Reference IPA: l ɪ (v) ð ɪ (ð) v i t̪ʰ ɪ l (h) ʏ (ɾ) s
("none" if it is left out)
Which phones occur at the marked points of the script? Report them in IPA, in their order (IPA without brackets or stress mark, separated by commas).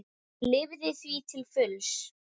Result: v, θ, f, l